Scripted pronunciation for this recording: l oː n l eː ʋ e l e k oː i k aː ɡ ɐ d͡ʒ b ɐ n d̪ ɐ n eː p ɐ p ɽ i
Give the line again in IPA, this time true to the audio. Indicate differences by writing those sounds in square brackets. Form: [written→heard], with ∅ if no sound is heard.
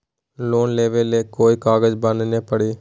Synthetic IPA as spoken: l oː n l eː ʋ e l e k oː [i→j] k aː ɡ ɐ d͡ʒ b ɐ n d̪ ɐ n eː p ɐ [p→∅] ɽ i